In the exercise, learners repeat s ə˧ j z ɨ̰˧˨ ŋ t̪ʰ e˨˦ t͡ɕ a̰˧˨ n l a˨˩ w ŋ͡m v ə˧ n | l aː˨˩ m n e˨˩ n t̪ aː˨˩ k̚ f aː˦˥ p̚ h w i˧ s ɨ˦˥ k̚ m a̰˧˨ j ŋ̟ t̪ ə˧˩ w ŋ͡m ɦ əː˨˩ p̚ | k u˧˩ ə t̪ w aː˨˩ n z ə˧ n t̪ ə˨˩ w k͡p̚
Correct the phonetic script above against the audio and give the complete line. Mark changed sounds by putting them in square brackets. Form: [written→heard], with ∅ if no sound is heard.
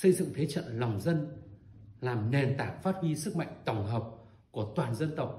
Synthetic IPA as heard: s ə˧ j z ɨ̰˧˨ ŋ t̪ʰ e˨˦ t͡ɕ [a̰˧˨→ə̰˧˨] n l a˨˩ w ŋ͡m [v→z] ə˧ n | l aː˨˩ m n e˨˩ n t̪ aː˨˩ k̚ f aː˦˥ [p̚→t̚] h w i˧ s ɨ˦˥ k̚ m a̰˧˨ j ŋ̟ t̪ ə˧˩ w ŋ͡m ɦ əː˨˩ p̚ | k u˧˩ ə t̪ w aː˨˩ n z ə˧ n t̪ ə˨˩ w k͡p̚